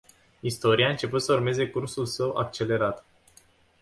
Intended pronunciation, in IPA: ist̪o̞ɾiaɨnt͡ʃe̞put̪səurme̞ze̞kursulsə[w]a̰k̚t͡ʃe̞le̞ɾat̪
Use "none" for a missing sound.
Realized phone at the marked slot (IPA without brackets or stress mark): w